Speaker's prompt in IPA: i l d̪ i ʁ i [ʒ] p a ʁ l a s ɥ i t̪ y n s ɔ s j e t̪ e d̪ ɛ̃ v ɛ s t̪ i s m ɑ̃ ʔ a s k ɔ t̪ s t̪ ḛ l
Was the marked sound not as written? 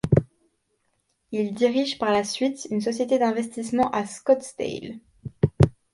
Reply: no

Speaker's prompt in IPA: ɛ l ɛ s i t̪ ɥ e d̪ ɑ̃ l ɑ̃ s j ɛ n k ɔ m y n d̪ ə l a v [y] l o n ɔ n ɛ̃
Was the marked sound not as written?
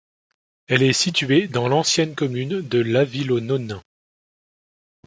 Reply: yes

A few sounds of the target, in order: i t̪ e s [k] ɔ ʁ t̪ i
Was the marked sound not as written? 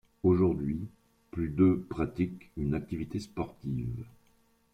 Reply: yes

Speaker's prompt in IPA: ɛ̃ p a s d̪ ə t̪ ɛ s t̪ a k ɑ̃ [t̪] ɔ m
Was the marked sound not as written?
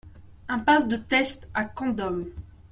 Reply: yes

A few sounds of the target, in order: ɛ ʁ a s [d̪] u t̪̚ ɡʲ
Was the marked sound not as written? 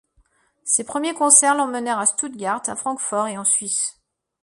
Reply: yes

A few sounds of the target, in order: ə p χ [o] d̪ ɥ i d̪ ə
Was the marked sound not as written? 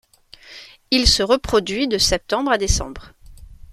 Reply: yes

